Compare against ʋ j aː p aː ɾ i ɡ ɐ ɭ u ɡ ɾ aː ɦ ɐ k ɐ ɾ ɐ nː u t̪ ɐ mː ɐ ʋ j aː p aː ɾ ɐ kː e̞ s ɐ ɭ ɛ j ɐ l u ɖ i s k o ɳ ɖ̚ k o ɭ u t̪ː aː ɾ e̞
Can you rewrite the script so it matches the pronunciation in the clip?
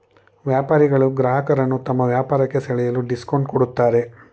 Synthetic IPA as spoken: ʋ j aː p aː ɾ i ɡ ɐ ɭ u ɡ ɾ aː ɦ ɐ k ɐ ɾ ɐ nː u t̪ ɐ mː ɐ ʋ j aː p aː ɾ ɐ kː e̞ s ɐ ɭ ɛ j ɐ l u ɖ i s k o ɳ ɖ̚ k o ɽ u t̪ː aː ɾ e̞

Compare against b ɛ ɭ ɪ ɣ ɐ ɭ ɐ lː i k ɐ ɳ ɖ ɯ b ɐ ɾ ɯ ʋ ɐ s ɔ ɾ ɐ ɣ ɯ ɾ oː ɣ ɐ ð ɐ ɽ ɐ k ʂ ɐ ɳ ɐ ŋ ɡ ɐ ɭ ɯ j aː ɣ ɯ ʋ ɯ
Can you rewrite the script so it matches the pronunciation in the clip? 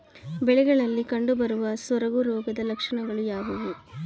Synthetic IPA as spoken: b ɛ ɭ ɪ ɣ ɐ ɭ ɐ lː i k ɐ ɳ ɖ ɯ b ɐ ɾ ɯ ʋ ɐ s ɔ ɾ ɐ ɣ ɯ ɾ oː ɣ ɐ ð ɐ l ɐ k ʂ ɐ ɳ ɐ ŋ ɡ ɐ ɭ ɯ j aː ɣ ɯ ʋ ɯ

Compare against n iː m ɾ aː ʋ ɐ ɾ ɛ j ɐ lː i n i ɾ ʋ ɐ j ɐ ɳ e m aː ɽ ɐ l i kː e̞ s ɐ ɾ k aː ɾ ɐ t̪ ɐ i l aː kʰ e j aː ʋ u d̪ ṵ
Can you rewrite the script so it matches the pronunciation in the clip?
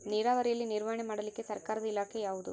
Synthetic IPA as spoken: n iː ɾ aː ʋ ɐ ɾ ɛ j ɐ lː i n i ɾ ʋ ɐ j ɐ ɳ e m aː ɽ ɐ l i kː e̞ s ɐ ɾ k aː ɾ ɐ d̪ ɐ i l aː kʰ e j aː ʋ u d̪ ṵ

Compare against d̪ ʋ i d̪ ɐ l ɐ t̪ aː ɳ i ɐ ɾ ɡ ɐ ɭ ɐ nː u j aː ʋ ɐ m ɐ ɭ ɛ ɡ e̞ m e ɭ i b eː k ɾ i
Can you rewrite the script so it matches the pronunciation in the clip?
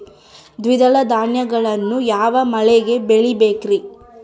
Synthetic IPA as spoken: d̪ ʋ i d̪ ɐ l ɐ d̪ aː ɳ j ɐ ɡ ɐ ɭ ɐ nː u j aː ʋ ɐ m ɐ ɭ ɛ ɡ e̞ b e ɭ i b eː k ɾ i

